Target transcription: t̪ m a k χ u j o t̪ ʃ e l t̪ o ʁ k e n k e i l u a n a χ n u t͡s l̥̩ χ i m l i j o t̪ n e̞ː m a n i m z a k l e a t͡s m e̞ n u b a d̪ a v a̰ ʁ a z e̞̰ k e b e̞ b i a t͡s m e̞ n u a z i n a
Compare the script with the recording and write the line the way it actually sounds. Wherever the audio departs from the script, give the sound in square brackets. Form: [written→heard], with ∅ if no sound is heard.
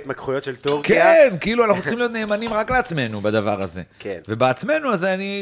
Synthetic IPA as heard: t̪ m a k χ u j o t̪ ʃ e l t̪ o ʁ k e n k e i l u a n a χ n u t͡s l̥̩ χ i m l i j o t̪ n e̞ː m a n i m [z→ʁ] a k l e a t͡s m e̞ n u b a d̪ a v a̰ ʁ a z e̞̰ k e [b→v] e̞ b [i→e] a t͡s m e̞ n u a z [i→a] n [a→i]